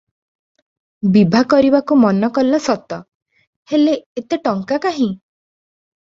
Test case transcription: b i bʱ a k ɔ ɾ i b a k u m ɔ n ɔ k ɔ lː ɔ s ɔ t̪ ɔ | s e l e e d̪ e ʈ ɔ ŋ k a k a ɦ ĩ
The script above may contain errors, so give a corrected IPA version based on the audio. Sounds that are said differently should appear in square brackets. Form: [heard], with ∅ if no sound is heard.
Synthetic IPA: b i bʱ a k ɔ ɾ i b a k u m ɔ n ɔ k ɔ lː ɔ s ɔ t̪ ɔ | [h] e l e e [t̪] e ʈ ɔ ŋ k a k a ɦ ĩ